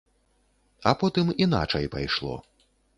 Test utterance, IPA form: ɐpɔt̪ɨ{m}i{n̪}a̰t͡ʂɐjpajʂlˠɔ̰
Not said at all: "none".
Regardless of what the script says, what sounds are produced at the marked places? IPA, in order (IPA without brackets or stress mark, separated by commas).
m, n̪